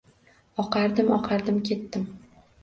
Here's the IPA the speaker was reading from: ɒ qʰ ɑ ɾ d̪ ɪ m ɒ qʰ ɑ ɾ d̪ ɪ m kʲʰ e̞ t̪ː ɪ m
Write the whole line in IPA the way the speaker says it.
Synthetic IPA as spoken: ɒ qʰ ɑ ɾ d̪ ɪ m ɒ qʰ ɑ ɾ d̪ ɪ m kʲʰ e̞ t̪ː ɪ m